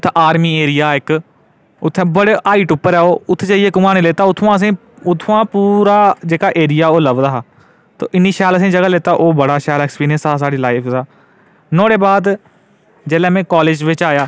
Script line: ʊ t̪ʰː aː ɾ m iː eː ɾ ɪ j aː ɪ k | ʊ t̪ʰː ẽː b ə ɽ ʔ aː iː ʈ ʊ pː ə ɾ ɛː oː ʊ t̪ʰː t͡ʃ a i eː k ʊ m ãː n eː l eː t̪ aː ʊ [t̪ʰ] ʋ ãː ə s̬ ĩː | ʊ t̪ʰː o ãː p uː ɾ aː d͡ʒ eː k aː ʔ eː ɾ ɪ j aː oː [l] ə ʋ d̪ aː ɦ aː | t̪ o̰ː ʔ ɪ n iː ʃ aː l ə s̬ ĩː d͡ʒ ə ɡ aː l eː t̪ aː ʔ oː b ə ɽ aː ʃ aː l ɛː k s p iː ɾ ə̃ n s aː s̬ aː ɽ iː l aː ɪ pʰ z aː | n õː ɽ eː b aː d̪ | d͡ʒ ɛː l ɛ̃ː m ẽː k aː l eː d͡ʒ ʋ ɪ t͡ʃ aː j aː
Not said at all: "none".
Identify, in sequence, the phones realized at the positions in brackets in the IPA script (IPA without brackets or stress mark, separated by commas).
t̪ʰ, l